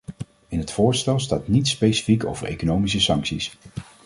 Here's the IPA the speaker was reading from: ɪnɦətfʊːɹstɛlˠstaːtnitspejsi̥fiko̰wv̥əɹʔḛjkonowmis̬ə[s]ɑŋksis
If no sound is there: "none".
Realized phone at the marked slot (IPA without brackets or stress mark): s